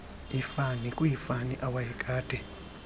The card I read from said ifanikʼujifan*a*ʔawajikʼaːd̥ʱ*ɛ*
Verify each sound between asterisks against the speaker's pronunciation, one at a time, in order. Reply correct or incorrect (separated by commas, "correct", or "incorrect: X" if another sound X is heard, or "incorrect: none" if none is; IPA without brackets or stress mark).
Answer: incorrect: i, correct